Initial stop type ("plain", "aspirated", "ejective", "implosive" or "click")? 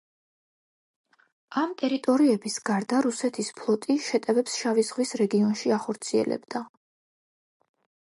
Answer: ejective